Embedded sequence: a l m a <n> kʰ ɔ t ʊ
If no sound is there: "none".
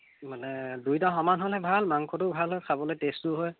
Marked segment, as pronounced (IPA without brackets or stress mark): ŋ